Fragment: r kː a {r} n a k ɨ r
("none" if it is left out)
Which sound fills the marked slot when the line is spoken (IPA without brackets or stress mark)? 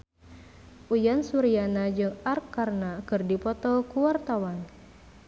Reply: r